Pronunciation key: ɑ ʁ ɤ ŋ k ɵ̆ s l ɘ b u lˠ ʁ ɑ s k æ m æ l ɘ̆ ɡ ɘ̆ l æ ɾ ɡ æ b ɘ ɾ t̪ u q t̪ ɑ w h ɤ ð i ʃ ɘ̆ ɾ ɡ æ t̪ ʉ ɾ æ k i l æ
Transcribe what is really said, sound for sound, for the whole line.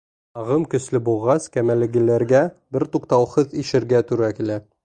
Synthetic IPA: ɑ ʁ ɤ m k ɵ̆ s l ɘ b u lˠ ʁ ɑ s k æ m æ l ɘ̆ ɡ ɘ̆ l æ ɾ ɡ æ b ɘ ɾ t̪ u q t̪ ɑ w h ɤ ð i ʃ ɘ̆ ɾ ɡ æ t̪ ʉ ɾ æ k i l æ